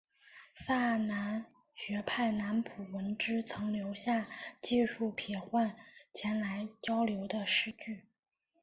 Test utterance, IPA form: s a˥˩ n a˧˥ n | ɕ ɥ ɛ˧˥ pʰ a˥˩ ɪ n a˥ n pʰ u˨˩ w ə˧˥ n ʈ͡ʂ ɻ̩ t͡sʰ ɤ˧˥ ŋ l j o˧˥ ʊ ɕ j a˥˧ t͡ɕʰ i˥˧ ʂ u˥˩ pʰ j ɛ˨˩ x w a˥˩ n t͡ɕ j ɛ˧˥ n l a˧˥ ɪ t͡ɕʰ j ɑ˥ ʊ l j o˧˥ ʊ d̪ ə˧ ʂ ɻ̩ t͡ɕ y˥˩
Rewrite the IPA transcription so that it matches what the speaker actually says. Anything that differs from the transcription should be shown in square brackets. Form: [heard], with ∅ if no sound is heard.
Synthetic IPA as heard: s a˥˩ n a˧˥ n | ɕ ɥ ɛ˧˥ pʰ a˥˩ ɪ n [a˧˥] n pʰ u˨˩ w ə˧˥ n ʈ͡ʂ ɻ̩ t͡sʰ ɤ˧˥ ŋ l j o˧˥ ʊ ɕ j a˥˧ [t͡ɕ] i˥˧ ʂ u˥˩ pʰ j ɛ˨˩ x w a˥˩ n [t͡ɕʰ] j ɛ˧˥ n l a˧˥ ɪ [t͡ɕ] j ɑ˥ ʊ l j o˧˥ ʊ d̪ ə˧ ʂ ɻ̩ t͡ɕ y˥˩

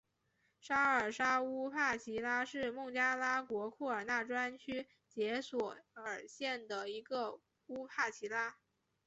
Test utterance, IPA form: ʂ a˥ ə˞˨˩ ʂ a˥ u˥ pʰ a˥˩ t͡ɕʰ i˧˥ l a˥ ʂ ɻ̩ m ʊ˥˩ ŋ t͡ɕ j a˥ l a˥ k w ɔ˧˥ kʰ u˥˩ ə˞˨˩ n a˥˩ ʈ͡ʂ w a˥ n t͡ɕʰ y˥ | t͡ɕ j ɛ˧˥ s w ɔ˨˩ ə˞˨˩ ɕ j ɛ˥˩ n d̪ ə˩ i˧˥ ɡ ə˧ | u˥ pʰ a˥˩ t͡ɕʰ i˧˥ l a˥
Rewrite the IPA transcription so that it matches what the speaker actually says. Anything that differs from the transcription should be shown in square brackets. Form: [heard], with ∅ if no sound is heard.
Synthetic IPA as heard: ʂ a˥ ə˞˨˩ ʂ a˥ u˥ pʰ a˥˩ t͡ɕʰ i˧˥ l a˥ ʂ ɻ̩ m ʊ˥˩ ŋ t͡ɕ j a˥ l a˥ k w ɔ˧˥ kʰ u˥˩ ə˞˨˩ n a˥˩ ʈ͡ʂ w a˥ n t͡ɕʰ y˥ | t͡ɕ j ɛ˧˥ s w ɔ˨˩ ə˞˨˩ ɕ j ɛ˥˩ n d̪ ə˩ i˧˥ ɡ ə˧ | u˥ pʰ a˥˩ t͡ɕʰ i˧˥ l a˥

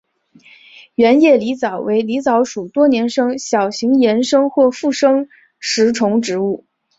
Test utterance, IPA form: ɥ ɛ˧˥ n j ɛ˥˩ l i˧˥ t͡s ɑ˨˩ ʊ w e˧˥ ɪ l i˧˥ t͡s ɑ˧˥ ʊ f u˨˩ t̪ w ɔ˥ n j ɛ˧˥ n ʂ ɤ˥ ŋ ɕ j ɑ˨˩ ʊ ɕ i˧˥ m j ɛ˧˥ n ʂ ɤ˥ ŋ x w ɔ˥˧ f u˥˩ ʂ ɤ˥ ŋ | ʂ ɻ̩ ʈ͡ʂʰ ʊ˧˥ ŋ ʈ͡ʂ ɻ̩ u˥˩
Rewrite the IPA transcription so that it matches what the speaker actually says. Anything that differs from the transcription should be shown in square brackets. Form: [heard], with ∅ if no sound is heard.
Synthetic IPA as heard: ɥ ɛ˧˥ n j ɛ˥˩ l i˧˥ t͡s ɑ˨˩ ʊ w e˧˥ ɪ l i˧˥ t͡s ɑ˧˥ ʊ [ʂ] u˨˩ t̪ w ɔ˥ n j ɛ˧˥ n ʂ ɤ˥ ŋ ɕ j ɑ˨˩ ʊ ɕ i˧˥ [ŋ] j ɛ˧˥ n ʂ ɤ˥ ŋ x w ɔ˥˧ f u˥˩ ʂ ɤ˥ ŋ | ʂ ɻ̩ ʈ͡ʂʰ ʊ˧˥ ŋ ʈ͡ʂ ɻ̩ u˥˩

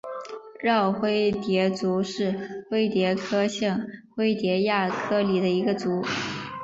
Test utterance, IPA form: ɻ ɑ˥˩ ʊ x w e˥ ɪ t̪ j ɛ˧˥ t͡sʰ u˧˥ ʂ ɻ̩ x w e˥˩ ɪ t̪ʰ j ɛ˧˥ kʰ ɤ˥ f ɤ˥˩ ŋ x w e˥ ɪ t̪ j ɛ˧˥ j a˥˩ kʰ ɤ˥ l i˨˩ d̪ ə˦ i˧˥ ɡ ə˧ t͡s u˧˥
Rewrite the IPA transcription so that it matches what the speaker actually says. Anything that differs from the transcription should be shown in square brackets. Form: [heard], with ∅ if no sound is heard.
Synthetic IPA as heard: ɻ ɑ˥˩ ʊ x w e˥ ɪ t̪ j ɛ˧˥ [t͡s] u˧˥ ʂ ɻ̩ x w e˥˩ ɪ [t̪] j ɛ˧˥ kʰ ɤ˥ [ɕ] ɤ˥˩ ŋ x w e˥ ɪ t̪ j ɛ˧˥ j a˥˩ kʰ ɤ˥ l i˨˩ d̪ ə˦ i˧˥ ɡ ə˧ t͡s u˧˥

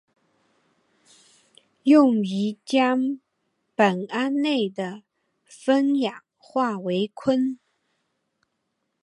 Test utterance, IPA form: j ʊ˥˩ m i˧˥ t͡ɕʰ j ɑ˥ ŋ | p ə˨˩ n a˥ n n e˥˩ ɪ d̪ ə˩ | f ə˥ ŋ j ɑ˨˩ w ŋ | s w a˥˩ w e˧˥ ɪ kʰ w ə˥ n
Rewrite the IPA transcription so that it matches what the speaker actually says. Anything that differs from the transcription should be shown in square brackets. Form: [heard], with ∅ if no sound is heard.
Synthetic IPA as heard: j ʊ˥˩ [ŋ] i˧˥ [t͡ɕ] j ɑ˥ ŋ | p ə˨˩ n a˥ n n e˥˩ ɪ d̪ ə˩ | f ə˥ [n] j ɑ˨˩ [∅] ŋ | [x] w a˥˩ w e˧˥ ɪ kʰ w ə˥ n

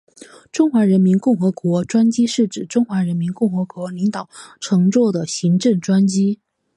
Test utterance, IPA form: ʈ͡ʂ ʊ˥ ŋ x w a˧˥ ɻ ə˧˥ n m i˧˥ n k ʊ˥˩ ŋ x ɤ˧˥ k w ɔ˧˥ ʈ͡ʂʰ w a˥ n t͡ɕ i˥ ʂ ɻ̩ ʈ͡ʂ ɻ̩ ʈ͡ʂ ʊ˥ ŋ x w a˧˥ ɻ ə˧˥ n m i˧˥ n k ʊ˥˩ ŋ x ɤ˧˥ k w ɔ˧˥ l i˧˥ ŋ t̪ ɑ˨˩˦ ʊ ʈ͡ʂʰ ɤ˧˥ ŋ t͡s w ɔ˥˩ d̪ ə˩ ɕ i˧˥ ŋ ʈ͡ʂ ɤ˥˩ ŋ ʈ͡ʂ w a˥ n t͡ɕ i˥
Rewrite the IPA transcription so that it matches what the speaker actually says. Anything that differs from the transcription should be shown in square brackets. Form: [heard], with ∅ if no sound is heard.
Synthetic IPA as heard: ʈ͡ʂ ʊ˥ ŋ x w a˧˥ ɻ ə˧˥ n m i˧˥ n k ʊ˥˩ ŋ x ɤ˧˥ k w ɔ˧˥ [ʈ͡ʂ] w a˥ n t͡ɕ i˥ ʂ ɻ̩ ʈ͡ʂ ɻ̩ ʈ͡ʂ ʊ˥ ŋ x w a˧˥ ɻ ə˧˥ n m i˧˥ n k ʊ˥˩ ŋ x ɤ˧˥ k w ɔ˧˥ l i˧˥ ŋ t̪ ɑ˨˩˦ ʊ ʈ͡ʂʰ ɤ˧˥ ŋ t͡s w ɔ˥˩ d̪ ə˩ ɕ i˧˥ ŋ ʈ͡ʂ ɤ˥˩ ŋ ʈ͡ʂ w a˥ n t͡ɕ i˥

